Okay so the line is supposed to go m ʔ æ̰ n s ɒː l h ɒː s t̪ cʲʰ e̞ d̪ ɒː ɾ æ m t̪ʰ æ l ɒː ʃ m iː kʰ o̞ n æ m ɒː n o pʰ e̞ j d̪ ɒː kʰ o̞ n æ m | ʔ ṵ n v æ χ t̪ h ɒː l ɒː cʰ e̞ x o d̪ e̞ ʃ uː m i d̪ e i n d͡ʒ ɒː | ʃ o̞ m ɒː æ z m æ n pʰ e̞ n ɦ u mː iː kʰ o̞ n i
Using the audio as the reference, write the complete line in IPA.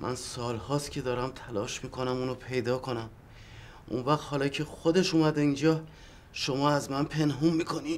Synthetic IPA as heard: m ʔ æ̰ n s ɒː l h ɒː s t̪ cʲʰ e̞ d̪ ɒː ɾ æ m t̪ʰ æ l ɒː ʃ m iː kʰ o̞ n æ m uː n o pʰ e̞ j d̪ ɒː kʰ o̞ n æ m | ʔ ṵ n v æ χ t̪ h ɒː l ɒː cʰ e̞ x o d̪ e̞ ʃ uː m æ d̪ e i n d͡ʒ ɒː | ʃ o̞ m ɒː æ z m æ n pʰ e̞ n ɦ u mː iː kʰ o̞ n i